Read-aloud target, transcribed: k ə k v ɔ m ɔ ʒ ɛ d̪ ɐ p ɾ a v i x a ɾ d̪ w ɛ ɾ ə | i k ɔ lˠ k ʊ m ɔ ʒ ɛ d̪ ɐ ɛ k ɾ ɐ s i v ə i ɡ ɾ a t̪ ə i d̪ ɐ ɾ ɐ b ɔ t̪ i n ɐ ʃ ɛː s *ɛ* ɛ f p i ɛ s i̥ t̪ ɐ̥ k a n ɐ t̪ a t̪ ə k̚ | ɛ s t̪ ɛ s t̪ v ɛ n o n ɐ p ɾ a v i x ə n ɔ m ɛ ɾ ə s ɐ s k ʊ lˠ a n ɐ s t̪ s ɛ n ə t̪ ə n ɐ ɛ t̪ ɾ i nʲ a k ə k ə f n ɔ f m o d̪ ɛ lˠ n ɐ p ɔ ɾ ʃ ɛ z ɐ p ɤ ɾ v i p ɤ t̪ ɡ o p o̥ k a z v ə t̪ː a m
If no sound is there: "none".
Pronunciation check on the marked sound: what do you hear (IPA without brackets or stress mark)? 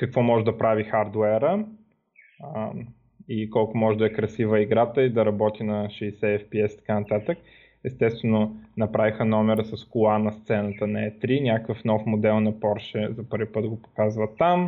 ɛ